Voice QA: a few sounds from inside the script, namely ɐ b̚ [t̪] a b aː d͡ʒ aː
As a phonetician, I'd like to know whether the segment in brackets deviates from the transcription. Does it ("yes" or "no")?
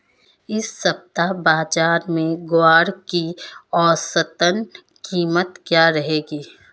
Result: no